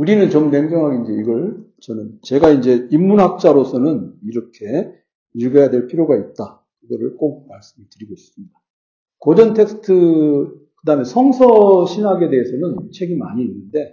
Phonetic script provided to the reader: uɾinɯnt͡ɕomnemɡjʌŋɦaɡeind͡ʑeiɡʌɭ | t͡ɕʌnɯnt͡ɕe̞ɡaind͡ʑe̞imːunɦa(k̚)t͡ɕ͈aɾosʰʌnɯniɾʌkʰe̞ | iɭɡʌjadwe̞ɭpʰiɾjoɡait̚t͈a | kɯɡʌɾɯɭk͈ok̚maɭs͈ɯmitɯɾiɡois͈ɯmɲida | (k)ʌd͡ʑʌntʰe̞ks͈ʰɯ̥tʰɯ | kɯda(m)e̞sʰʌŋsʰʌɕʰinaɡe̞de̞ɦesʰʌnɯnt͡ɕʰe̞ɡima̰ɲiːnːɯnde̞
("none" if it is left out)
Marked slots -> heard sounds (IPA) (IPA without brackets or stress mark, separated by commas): k̚, k, m